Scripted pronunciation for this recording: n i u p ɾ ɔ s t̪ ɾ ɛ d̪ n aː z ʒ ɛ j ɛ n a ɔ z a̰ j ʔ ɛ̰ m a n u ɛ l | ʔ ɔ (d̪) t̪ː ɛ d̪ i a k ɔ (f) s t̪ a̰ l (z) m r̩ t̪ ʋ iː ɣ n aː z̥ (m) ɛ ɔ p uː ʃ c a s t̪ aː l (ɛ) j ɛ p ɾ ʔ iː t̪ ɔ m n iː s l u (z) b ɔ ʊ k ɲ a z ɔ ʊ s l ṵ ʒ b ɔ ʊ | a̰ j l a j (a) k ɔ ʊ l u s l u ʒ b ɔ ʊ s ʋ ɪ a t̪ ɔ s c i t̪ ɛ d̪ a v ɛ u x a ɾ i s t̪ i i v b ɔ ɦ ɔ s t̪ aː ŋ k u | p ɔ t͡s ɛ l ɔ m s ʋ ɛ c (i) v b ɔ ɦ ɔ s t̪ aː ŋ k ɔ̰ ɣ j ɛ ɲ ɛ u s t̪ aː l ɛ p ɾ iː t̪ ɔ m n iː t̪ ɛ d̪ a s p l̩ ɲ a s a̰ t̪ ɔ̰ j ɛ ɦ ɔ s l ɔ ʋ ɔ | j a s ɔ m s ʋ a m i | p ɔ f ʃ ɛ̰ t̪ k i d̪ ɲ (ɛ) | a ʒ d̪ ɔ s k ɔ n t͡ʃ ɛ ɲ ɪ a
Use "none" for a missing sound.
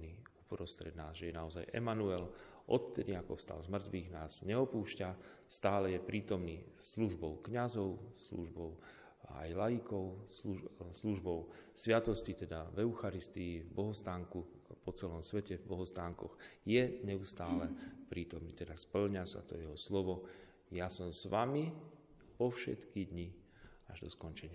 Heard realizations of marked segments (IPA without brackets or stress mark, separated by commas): t̪, f, z, ɲ, ɛ, ʒ, i, ɛ, i